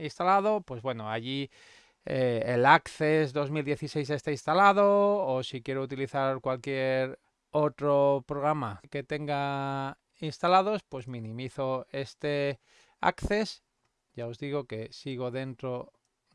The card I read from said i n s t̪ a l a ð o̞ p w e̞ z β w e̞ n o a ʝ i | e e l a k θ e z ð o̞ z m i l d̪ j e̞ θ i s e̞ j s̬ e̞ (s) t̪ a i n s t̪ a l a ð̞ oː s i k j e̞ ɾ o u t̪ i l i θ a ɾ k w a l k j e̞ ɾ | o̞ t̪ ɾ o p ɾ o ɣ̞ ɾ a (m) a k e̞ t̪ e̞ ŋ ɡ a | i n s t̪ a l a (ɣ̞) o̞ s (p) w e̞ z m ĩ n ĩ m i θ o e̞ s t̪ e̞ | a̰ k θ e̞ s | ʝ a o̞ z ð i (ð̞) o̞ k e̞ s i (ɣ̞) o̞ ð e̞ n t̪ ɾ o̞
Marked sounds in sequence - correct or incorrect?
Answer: correct, correct, incorrect, correct, incorrect, correct

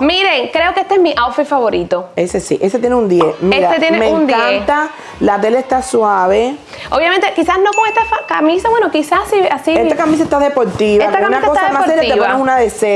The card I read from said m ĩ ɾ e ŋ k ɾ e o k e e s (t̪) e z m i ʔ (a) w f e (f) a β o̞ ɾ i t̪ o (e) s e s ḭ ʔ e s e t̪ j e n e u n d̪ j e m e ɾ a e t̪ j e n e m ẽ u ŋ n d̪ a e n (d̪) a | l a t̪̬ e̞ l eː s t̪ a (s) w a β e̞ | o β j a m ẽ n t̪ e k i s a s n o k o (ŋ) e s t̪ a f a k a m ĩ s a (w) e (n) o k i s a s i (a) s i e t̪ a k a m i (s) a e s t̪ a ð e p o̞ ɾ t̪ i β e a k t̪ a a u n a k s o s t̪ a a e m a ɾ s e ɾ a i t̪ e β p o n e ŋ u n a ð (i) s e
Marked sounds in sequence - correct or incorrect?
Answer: correct, correct, correct, correct, incorrect, correct, correct, correct, correct, correct, correct, incorrect

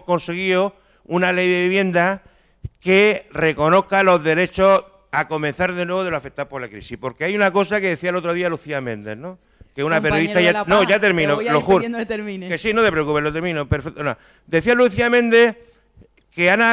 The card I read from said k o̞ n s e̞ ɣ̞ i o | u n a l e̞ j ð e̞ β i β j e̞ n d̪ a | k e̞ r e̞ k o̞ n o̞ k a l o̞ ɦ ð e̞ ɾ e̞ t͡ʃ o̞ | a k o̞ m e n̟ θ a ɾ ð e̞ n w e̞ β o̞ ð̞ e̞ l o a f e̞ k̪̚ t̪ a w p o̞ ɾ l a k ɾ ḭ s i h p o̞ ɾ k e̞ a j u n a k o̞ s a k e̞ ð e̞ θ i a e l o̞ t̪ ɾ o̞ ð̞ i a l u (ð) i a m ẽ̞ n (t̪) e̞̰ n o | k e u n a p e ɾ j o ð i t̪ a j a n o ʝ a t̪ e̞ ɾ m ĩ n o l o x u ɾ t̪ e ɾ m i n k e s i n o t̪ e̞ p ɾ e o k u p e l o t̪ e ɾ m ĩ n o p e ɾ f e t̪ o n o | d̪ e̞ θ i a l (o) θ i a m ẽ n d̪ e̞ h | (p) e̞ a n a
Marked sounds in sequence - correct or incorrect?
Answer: incorrect, incorrect, incorrect, incorrect

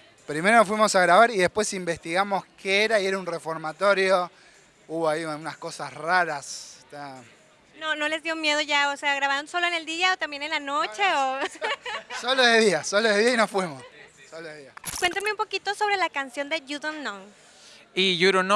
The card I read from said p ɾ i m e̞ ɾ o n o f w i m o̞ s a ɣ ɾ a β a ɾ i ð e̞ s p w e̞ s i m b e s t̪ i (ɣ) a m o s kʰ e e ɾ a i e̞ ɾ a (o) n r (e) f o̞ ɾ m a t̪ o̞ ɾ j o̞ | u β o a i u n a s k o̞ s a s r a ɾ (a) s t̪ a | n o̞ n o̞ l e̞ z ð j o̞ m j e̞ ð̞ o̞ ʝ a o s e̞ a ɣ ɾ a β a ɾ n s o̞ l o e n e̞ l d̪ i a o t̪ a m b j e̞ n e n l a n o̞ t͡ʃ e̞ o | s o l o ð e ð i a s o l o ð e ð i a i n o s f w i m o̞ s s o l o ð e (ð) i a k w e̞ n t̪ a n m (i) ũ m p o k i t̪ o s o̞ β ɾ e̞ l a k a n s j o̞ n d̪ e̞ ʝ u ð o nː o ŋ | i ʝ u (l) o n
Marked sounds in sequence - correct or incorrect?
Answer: correct, incorrect, correct, correct, correct, incorrect, incorrect

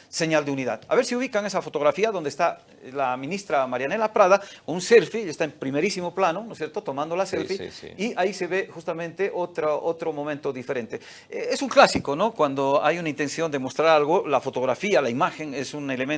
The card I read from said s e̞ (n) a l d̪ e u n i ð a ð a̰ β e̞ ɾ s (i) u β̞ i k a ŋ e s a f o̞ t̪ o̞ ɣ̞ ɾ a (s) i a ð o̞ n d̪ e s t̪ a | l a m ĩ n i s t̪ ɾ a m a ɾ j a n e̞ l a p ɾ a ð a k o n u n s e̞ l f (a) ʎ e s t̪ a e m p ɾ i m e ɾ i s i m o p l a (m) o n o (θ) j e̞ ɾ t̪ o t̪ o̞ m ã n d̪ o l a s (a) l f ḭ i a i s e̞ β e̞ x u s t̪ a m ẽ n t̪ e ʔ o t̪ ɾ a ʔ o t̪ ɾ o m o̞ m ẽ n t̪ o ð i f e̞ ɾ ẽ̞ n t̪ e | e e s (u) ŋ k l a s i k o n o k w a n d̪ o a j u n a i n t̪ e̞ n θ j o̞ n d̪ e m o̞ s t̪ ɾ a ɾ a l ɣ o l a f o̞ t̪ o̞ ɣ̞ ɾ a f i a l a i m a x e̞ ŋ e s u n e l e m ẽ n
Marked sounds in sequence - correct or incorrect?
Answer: incorrect, correct, incorrect, incorrect, incorrect, incorrect, incorrect, correct

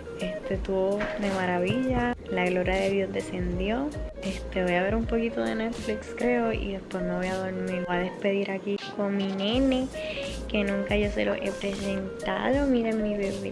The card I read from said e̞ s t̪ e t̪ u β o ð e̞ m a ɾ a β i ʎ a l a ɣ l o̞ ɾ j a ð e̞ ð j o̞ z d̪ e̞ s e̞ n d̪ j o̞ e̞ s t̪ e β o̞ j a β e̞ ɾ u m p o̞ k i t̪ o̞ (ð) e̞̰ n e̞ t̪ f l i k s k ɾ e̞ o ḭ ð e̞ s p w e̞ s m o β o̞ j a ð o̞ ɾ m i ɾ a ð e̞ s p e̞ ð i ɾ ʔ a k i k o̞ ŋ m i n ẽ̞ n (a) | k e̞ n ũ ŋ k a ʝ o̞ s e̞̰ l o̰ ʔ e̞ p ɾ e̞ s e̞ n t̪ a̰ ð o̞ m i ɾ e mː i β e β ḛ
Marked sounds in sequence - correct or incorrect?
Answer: correct, incorrect

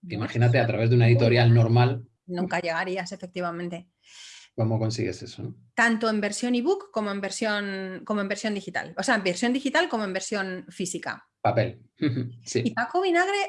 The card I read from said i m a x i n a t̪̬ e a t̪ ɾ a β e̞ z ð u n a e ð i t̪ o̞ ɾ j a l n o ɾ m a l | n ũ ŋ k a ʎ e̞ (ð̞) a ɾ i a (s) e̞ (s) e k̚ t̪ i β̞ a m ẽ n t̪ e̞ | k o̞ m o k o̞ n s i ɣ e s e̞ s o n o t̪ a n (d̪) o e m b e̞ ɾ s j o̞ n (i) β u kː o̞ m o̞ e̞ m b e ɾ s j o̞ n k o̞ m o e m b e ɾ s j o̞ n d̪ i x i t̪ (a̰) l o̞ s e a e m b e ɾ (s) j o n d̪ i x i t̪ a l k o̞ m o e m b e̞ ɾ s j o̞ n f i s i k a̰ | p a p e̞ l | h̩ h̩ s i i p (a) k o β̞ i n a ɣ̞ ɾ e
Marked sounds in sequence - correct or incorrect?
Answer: incorrect, correct, incorrect, incorrect, correct, correct, correct, correct

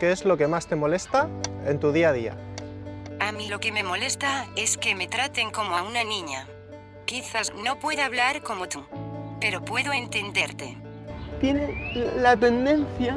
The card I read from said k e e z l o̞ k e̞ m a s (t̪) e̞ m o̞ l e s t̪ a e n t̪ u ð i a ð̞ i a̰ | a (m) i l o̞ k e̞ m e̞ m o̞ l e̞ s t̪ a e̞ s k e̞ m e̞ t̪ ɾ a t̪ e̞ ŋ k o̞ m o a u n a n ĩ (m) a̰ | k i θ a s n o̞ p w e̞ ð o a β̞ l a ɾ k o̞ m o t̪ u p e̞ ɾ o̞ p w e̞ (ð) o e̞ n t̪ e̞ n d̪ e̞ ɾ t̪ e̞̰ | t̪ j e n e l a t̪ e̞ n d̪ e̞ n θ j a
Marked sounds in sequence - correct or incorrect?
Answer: correct, correct, incorrect, correct

